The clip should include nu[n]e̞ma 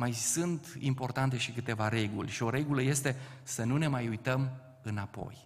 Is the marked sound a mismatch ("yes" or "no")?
no